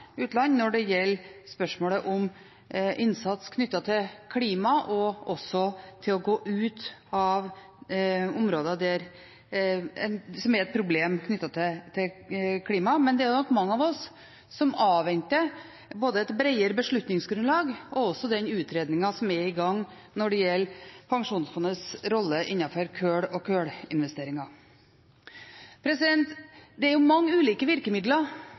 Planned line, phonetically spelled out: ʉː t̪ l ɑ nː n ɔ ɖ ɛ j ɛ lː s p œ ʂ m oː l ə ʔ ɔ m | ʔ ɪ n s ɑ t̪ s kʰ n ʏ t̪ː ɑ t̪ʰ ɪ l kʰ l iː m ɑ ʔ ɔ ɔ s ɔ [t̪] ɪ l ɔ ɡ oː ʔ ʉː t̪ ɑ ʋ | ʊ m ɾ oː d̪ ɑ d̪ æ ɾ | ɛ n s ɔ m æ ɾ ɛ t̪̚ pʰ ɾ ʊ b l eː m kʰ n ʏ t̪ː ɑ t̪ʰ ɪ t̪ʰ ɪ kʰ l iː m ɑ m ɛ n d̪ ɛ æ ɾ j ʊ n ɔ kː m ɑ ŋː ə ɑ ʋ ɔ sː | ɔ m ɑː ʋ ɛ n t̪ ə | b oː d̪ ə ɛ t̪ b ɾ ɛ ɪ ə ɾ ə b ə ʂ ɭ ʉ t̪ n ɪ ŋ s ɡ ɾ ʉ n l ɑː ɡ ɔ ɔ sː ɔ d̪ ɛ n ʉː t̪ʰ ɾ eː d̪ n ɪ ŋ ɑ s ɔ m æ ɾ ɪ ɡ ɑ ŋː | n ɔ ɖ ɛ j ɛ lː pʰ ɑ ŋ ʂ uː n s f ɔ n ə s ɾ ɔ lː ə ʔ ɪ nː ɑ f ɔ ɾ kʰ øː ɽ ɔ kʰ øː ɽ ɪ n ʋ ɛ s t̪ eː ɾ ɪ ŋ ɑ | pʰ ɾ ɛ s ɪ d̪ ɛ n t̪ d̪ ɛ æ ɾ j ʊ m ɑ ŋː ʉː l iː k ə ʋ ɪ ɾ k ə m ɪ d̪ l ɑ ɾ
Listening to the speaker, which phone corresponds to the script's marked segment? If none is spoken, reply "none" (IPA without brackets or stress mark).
t̪ʰ